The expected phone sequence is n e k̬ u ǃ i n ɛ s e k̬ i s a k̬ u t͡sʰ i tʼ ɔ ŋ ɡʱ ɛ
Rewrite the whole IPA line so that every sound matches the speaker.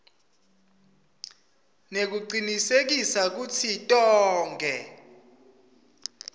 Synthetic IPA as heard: n e k̬ u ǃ i n i s e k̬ i s a k̬ u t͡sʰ i tʼ ɔː ŋ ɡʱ ɛ